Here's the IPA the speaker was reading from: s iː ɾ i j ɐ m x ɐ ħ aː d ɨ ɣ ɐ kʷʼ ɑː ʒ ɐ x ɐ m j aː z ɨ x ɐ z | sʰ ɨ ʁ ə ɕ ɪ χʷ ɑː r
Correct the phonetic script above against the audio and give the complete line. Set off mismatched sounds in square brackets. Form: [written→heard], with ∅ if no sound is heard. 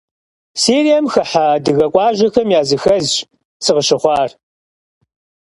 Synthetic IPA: s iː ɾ i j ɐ m x ɐ ħ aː d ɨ ɣ ɐ kʷʼ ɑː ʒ ɐ x ɐ m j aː z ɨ x ɐ z | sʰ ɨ ʁ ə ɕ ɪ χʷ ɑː r